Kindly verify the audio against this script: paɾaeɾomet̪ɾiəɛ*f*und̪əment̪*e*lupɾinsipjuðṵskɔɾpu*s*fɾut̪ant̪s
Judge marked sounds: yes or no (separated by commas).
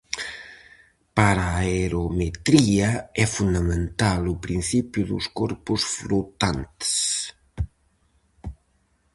yes, no, yes